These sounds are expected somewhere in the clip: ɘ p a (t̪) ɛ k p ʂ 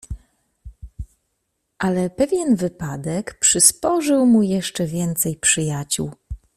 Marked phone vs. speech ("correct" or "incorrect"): incorrect